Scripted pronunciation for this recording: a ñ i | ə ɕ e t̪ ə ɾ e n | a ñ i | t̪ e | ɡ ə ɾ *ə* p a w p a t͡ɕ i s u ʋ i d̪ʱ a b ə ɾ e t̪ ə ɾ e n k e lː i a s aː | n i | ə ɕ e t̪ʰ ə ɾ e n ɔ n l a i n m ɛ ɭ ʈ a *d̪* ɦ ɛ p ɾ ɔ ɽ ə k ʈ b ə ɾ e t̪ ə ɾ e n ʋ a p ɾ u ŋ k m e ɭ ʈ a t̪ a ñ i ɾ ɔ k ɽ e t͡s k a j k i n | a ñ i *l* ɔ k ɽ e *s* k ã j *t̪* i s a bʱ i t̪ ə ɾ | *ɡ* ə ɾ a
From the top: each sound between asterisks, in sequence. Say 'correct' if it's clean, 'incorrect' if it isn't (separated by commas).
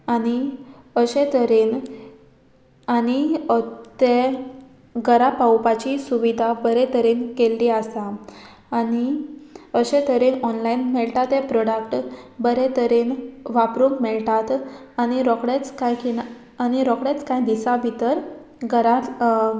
incorrect, incorrect, incorrect, incorrect, incorrect, correct